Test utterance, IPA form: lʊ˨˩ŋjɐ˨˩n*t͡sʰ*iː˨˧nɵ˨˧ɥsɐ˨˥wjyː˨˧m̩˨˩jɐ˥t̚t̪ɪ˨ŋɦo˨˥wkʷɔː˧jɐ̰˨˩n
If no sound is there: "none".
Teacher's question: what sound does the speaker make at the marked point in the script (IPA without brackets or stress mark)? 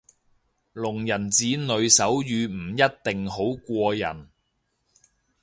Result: t͡s